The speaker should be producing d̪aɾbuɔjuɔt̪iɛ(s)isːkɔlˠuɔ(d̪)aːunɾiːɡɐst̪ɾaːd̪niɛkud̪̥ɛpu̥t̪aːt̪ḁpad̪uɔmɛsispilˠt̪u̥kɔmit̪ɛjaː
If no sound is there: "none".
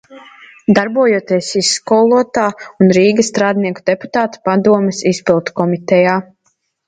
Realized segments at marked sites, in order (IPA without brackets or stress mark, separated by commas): s, t̪